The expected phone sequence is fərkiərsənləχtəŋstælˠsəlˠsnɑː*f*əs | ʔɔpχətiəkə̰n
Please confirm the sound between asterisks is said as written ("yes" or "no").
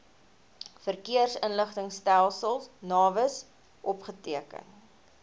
no